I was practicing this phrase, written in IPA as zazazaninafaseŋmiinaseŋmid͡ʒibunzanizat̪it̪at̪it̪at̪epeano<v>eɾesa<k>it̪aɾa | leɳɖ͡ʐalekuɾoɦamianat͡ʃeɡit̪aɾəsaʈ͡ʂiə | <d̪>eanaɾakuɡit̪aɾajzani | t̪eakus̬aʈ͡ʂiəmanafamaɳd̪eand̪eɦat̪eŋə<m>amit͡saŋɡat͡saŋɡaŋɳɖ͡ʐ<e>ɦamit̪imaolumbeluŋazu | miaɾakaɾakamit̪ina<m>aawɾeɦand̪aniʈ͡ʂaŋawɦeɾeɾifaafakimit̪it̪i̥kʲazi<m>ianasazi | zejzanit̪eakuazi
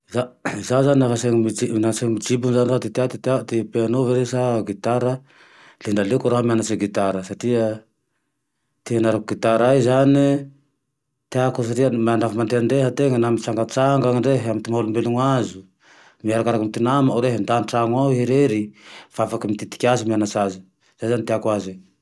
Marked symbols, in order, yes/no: yes, no, no, no, yes, yes, yes

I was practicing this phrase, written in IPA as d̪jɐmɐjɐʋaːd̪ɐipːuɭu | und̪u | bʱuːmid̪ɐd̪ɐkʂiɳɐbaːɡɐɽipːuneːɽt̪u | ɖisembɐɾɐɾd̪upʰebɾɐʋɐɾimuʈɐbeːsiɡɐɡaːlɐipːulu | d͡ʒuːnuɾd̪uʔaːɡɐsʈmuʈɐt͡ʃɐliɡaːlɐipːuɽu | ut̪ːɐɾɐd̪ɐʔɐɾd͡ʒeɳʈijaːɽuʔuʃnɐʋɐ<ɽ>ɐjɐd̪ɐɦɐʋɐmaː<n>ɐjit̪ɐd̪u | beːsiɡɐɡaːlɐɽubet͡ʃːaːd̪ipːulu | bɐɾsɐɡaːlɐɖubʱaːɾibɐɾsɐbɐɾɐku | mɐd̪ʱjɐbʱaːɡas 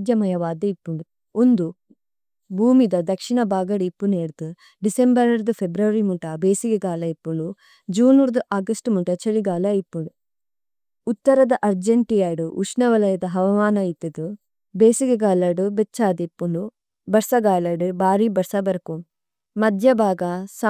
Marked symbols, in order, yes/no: no, yes

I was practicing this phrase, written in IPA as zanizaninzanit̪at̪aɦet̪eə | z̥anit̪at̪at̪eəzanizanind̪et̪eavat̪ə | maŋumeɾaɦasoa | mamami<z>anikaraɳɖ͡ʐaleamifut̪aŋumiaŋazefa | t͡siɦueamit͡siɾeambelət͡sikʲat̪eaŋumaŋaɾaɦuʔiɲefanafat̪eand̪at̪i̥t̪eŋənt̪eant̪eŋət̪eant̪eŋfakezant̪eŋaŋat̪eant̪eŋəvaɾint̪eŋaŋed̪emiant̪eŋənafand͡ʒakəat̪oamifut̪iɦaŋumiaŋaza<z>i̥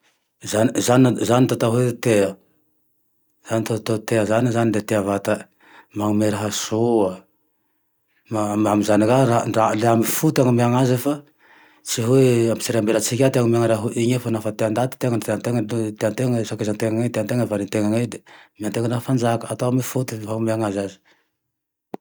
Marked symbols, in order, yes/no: yes, yes

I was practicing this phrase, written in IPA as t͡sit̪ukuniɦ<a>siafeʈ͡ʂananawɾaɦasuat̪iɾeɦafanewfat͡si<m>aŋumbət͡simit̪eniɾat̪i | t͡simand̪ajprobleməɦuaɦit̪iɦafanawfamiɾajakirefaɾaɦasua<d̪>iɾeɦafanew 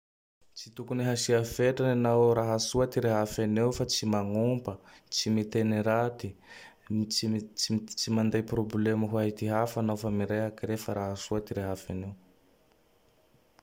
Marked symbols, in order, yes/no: yes, yes, no

